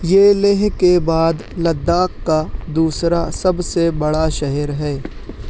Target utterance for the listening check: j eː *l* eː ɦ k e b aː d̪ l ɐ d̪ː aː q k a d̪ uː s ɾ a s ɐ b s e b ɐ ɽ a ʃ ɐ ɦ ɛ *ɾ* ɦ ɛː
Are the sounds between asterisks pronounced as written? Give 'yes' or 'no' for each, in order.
yes, yes

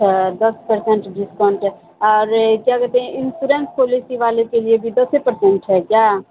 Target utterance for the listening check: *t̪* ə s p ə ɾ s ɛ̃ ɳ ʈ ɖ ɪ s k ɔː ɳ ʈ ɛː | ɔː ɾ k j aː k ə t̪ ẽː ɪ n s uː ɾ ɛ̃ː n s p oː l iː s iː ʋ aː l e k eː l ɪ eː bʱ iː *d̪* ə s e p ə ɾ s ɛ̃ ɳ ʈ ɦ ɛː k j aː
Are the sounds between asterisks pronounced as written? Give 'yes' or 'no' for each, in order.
no, yes

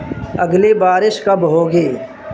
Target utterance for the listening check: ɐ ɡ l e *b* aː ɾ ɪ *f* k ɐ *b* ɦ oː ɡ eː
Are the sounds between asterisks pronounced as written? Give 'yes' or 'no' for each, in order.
yes, no, yes

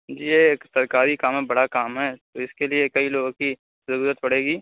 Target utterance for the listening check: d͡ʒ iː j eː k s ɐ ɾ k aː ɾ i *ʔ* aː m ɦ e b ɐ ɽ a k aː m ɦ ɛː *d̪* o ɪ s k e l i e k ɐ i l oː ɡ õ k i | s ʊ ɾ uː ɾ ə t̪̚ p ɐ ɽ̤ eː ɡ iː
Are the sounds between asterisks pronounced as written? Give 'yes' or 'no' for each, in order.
no, no

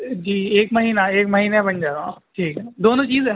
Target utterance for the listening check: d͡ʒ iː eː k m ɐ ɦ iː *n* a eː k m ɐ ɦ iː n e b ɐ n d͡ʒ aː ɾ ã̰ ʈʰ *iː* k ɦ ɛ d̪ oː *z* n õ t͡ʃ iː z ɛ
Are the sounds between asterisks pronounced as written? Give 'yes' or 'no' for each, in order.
yes, yes, no

